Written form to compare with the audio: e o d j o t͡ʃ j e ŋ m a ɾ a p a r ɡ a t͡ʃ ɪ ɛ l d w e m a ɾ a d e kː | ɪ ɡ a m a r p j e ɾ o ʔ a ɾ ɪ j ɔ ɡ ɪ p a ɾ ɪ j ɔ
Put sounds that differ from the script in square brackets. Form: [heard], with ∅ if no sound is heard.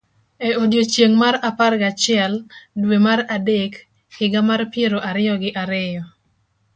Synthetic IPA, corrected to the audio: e o d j o t͡ʃ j e ŋ m a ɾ a p a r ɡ a t͡ʃ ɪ ɛ l d w e m a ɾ a d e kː | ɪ ɡ a m a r p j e ɾ o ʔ a ɾ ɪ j ɔ ɡ ɪ [ʔ] a ɾ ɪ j ɔ